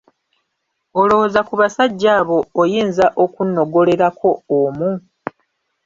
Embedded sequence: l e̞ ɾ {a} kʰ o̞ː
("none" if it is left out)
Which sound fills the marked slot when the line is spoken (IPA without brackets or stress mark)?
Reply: a